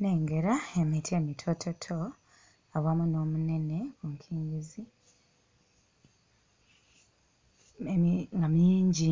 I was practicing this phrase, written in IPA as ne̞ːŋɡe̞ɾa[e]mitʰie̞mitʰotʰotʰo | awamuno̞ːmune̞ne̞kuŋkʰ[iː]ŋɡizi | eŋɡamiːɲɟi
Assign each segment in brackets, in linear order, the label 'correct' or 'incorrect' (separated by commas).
correct, correct